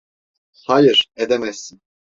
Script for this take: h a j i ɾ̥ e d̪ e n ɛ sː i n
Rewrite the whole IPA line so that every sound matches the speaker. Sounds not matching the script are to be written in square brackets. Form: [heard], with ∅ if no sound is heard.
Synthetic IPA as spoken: h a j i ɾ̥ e d̪ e [m] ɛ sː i n